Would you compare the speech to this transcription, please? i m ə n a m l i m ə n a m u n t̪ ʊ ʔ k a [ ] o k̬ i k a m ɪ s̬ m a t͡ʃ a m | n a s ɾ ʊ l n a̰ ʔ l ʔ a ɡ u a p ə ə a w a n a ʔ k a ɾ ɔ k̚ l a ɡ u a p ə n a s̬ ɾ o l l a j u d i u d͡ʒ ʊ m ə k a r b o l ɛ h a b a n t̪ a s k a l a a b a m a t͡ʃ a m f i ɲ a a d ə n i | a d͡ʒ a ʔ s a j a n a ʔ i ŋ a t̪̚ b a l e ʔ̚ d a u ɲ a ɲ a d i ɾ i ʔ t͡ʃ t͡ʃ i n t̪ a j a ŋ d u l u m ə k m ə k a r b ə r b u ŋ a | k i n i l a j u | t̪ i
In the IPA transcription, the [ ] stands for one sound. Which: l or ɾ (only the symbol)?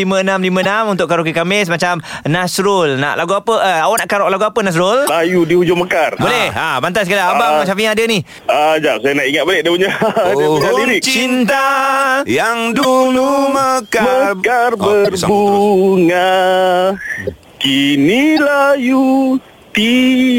ɾ